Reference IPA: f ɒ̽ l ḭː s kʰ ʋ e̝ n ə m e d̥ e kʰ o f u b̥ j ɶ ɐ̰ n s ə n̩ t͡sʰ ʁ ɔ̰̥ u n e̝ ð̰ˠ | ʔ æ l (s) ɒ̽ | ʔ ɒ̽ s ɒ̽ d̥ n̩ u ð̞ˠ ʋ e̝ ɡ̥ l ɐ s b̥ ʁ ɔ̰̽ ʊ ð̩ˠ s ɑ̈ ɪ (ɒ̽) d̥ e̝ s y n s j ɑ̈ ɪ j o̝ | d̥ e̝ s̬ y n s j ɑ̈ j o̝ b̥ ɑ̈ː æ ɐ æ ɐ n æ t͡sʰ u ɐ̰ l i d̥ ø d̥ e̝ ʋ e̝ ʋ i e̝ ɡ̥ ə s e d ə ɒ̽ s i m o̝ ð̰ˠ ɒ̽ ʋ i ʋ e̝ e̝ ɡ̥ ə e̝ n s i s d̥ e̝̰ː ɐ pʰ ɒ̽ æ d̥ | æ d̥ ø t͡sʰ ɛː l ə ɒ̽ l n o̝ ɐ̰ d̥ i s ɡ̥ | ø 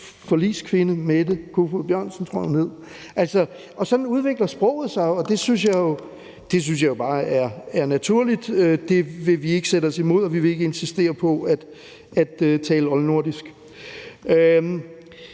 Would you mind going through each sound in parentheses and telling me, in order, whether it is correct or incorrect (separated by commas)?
correct, correct